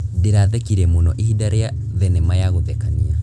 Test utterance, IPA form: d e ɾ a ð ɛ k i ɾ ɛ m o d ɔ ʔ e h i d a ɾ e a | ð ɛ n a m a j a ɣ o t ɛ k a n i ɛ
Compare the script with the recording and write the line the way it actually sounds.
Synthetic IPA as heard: d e ɾ a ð ɛ k i ɾ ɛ m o n ɔ ʔ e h i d a ɾ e a | ð ɛ n ɛ m a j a ɣ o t ɛ k a n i a